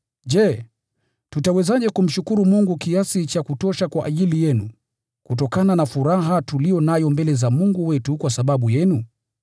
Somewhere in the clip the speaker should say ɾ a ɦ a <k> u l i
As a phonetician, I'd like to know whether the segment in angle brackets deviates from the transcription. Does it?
yes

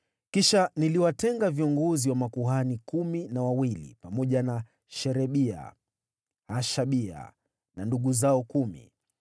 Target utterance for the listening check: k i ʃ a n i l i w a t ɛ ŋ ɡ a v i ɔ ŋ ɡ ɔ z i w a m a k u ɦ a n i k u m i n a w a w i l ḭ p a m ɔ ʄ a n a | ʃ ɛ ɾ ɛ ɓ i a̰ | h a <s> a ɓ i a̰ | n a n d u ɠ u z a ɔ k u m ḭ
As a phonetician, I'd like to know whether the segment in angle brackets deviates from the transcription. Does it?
yes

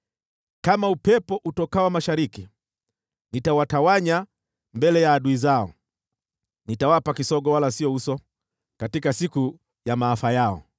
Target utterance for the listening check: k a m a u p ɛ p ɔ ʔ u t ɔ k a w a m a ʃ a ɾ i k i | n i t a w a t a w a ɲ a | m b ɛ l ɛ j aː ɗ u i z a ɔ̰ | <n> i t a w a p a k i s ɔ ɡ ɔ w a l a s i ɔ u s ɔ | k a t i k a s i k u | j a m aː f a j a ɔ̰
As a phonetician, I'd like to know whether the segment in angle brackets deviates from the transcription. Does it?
no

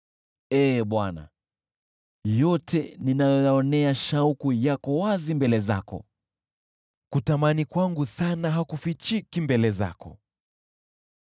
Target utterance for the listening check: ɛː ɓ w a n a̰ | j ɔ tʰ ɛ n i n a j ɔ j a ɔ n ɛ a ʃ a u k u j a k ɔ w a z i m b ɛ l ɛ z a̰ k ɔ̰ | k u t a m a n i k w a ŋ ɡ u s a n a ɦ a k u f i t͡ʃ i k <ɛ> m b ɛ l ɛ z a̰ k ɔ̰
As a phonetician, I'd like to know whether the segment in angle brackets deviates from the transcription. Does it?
yes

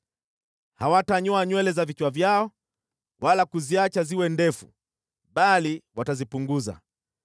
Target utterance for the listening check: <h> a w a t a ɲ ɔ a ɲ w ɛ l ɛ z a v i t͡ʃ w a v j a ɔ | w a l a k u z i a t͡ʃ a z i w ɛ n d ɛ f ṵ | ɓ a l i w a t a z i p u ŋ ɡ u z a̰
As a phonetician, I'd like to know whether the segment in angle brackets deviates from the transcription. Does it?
no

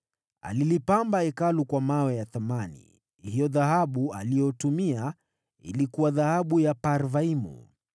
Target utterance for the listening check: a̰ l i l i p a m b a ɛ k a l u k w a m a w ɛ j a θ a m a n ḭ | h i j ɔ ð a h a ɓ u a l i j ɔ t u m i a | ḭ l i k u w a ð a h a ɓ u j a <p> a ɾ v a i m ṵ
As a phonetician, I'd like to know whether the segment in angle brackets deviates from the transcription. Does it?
no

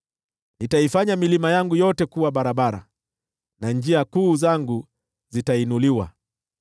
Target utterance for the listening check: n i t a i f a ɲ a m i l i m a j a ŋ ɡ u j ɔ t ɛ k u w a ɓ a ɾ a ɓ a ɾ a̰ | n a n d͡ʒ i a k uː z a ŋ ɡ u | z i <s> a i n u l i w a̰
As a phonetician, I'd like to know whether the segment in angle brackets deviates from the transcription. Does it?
yes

